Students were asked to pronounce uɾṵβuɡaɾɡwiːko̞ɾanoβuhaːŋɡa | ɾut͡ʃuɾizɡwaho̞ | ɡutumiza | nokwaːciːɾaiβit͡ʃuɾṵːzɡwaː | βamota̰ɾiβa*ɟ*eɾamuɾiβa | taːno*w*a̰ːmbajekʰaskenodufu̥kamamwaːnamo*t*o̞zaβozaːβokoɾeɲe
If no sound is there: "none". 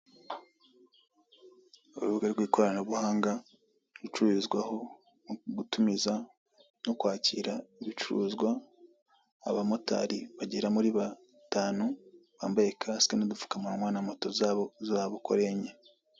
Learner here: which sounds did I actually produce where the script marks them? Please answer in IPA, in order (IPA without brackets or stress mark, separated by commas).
ɟ, β, t